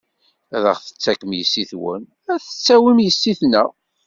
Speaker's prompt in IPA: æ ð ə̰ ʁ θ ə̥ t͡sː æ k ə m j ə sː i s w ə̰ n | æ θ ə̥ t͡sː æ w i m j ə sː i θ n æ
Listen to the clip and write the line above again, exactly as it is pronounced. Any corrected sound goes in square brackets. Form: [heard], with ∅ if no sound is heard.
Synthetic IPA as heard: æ ð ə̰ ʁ θ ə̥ t͡sː æ k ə m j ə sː i [θ] w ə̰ n | æ θ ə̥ t͡sː æ w i m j ə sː i θ n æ